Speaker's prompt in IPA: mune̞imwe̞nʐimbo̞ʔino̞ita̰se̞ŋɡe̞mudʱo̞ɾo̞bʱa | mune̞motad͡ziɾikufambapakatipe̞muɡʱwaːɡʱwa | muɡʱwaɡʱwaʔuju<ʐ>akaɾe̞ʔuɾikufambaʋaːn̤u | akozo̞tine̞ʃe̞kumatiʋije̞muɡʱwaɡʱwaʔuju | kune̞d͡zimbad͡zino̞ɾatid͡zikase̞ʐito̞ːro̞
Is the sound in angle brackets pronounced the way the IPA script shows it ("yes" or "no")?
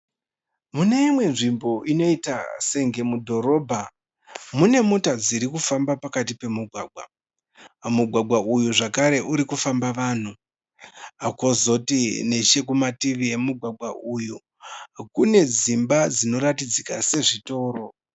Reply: yes